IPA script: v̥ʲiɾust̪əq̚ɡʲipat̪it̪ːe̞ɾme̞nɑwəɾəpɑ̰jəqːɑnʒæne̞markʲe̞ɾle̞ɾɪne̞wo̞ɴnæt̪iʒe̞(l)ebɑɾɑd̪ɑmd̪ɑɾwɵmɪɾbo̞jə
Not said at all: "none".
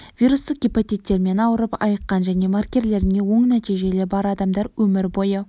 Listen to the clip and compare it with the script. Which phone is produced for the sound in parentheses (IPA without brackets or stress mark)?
l